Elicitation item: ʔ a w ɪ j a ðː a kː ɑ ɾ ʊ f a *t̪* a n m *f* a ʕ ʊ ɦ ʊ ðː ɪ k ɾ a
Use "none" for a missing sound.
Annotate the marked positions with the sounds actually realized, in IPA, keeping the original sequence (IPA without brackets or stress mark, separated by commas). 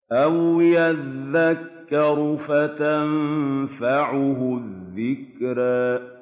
t̪, f